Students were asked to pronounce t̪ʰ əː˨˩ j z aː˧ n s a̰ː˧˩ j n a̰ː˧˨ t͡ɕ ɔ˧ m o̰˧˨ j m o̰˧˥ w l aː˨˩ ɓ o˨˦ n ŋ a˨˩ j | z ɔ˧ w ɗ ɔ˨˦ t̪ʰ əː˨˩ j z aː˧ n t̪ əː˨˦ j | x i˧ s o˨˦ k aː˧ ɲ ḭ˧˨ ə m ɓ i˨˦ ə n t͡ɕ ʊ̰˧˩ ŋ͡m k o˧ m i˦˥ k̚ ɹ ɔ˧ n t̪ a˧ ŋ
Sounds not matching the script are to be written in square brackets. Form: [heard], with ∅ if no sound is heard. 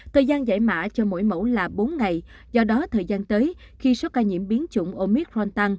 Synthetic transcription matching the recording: t̪ʰ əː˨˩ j z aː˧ n [z] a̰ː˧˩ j [m] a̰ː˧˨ t͡ɕ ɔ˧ m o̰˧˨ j m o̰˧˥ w l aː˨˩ ɓ o˨˦ n ŋ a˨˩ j | z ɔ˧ [∅] ɗ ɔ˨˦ t̪ʰ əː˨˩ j z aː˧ n t̪ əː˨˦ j | x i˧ s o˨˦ k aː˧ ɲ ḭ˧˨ ə m ɓ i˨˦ ə n t͡ɕ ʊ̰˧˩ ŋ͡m [ʔ] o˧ m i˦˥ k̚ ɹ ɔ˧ n t̪ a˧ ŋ